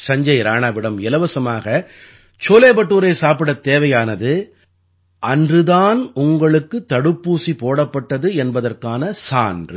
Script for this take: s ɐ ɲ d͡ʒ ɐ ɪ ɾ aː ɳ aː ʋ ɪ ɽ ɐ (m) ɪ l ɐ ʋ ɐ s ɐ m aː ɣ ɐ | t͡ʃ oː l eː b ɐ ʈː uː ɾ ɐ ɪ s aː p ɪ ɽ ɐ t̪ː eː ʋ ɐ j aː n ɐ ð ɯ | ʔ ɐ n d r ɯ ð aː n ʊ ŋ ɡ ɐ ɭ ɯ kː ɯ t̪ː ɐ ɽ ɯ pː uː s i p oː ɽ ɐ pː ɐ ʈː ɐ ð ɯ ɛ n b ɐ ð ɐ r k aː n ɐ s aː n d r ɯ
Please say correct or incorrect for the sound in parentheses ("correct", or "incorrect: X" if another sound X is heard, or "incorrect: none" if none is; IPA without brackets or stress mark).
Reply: correct